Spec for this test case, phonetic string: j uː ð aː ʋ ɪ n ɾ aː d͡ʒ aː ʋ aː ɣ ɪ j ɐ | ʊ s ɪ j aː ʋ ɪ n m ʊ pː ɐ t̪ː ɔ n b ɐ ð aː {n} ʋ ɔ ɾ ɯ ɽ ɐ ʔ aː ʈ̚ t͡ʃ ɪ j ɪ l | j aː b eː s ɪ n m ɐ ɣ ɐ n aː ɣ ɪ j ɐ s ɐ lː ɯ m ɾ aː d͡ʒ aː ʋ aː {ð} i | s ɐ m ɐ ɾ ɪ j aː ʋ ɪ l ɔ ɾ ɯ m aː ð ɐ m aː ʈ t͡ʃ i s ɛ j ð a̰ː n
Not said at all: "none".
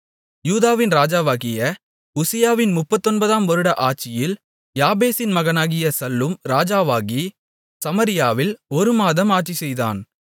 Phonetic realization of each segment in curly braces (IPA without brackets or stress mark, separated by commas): m, ɣ